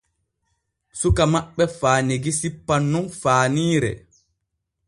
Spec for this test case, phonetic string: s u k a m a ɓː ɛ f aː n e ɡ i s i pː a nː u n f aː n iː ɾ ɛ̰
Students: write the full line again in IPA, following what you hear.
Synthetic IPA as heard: s u k a m a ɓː ɛ f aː n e ɡ i s i pː a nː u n f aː n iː ɾ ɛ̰